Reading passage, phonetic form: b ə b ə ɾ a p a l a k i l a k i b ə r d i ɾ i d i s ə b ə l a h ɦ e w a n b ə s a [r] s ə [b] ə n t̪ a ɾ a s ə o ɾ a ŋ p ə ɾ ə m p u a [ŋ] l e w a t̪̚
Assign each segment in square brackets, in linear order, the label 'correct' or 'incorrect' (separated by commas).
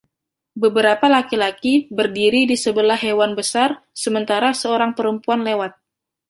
correct, incorrect, incorrect